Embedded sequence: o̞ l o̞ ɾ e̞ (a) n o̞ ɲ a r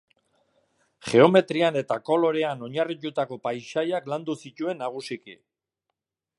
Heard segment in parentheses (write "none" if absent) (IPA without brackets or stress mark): a